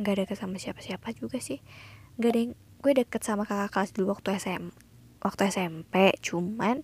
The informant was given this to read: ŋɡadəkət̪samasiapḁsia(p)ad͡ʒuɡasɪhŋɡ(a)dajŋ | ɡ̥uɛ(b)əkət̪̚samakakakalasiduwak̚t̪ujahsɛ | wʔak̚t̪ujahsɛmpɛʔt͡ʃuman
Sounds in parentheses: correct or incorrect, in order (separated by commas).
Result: correct, correct, incorrect